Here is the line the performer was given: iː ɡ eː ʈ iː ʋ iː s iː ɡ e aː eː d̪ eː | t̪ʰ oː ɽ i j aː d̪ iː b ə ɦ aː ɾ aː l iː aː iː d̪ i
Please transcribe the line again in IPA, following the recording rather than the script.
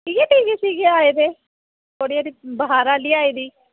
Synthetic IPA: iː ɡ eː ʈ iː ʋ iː s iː ɡ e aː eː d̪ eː | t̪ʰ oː ɽ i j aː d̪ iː b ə ɦ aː ɾ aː l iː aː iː d̪ iː